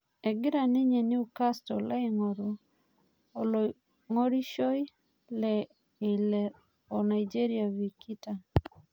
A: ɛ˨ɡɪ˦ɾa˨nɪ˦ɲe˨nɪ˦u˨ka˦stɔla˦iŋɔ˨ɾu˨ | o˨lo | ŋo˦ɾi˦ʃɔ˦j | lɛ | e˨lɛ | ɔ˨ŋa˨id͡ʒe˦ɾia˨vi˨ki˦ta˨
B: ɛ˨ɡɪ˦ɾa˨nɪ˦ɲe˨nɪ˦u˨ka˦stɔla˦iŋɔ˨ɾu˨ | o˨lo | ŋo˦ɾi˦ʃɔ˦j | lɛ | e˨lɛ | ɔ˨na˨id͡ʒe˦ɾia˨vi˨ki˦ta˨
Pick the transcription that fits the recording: B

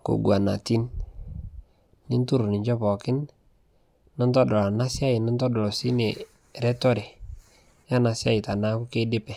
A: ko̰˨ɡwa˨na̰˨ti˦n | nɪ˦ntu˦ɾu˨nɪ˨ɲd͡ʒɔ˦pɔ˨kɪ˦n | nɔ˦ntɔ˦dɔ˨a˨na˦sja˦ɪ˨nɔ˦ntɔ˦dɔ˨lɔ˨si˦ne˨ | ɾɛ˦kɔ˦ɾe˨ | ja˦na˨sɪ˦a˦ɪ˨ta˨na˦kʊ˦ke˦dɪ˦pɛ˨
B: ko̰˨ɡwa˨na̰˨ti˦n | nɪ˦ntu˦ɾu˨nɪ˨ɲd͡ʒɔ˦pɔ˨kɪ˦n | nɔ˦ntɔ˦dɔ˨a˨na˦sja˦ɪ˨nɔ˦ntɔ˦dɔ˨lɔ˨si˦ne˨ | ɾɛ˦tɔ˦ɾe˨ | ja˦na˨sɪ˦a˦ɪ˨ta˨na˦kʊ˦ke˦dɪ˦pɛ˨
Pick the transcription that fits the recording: B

